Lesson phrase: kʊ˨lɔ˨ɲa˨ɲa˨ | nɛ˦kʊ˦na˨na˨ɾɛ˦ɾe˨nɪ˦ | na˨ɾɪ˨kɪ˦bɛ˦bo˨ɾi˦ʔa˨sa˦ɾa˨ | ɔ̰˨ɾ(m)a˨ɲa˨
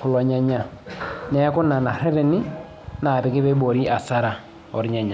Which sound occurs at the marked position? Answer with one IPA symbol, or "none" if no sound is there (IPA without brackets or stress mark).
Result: ɲ